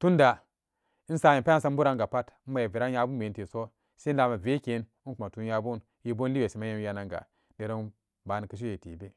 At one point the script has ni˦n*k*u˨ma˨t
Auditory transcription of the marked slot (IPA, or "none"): k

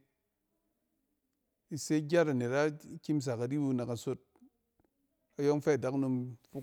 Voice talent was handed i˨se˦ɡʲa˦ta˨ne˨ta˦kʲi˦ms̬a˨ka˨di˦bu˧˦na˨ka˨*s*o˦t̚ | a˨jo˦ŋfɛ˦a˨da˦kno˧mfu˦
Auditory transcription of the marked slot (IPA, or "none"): s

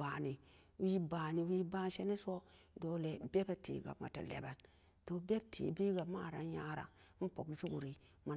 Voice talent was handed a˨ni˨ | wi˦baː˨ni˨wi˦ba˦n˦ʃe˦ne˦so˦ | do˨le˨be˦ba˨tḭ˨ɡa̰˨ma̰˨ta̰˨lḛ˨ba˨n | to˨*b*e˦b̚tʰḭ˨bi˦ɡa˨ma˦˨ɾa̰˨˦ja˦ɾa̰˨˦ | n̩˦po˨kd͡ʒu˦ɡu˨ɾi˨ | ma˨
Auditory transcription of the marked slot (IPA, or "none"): b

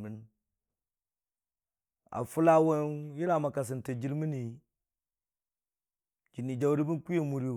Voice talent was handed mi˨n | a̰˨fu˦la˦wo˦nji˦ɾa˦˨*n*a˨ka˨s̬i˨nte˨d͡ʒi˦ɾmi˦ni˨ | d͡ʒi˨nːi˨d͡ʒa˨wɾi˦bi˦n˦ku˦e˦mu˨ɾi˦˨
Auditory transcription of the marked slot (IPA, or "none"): m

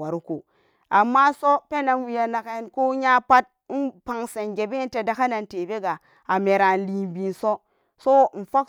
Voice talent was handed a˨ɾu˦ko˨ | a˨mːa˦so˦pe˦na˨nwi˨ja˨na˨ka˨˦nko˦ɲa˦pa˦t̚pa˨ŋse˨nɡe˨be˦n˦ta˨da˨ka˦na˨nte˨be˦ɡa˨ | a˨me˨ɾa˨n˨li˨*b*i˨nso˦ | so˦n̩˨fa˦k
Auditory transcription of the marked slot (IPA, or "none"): b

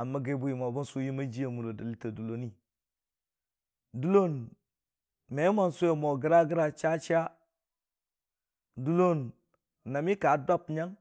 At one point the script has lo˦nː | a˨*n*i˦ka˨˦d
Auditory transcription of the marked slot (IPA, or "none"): m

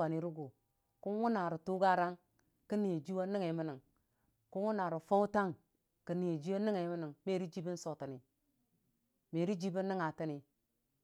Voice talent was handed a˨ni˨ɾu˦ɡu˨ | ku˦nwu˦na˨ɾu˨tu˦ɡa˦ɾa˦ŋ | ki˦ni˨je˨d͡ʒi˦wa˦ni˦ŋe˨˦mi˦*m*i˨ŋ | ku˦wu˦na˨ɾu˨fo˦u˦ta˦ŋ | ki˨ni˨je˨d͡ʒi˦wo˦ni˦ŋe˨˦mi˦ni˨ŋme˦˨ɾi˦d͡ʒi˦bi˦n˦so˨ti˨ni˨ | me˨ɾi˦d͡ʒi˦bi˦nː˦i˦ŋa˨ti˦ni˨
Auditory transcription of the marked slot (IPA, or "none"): n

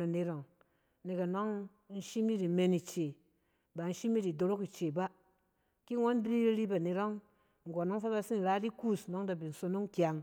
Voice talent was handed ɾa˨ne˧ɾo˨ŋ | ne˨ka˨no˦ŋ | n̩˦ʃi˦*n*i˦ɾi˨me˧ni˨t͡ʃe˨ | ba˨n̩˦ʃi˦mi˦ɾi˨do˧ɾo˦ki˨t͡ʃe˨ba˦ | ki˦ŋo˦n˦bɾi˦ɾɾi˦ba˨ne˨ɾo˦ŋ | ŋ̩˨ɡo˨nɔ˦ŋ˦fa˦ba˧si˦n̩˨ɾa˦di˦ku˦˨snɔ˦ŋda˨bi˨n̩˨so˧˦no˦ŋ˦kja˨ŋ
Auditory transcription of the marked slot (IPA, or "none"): m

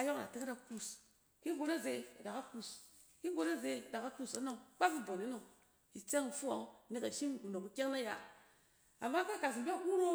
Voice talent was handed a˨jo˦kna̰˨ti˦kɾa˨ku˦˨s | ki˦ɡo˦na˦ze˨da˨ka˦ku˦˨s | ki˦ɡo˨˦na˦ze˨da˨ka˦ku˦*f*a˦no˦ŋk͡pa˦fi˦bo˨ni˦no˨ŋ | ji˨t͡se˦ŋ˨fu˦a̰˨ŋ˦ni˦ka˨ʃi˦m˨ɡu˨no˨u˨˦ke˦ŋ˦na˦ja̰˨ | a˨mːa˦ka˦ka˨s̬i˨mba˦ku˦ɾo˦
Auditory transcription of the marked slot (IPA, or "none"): s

